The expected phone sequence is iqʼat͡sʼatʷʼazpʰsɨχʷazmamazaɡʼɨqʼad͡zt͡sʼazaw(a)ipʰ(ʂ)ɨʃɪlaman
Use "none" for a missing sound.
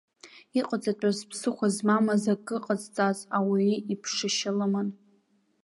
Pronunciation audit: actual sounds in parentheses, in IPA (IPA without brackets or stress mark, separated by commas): i, ʂ